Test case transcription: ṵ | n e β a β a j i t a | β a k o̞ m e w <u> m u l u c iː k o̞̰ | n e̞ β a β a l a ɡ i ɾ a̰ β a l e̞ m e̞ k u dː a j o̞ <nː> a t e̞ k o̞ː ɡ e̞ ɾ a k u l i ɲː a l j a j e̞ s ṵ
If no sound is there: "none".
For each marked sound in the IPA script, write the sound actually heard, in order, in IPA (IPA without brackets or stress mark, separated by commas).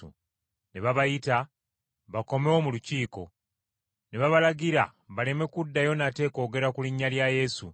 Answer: o, n